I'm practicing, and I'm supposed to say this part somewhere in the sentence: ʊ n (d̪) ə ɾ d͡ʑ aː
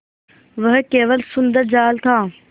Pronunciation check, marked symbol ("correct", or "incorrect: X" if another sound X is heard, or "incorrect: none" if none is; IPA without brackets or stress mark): correct